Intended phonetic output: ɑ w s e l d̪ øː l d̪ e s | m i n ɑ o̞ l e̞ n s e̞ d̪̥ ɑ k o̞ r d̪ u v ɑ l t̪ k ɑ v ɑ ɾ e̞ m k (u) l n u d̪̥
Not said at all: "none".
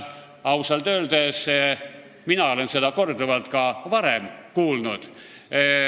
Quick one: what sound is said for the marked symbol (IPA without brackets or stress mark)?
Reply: uː